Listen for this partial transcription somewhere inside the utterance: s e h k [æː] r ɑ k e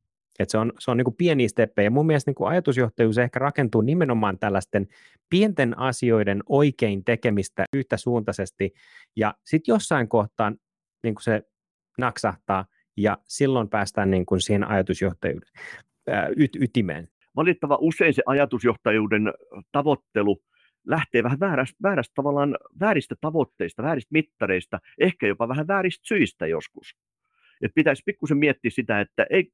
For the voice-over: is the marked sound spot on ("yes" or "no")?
no